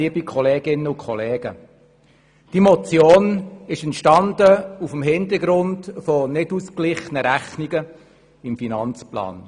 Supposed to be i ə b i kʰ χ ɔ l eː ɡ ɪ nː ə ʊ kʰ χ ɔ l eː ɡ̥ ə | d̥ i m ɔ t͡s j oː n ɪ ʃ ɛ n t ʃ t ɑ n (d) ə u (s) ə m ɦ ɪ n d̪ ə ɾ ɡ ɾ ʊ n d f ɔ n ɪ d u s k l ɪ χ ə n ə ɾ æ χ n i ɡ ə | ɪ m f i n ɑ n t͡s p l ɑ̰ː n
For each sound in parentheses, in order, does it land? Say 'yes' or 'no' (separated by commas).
yes, no